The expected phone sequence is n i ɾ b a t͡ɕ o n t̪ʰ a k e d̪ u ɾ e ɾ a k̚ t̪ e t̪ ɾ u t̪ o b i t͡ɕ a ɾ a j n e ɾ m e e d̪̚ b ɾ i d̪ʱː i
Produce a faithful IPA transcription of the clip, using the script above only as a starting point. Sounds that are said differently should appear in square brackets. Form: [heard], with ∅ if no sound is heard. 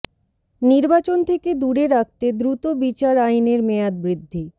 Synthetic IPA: n i ɾ b a t͡ɕ o n t̪ʰ [e] k e d̪ u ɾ e ɾ a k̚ t̪ e [d̪] ɾ u t̪ o b i t͡ɕ a ɾ a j n e ɾ m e [a] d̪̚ b ɾ i d̪ʱː i